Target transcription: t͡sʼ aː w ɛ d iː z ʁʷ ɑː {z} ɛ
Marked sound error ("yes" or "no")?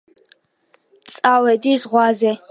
no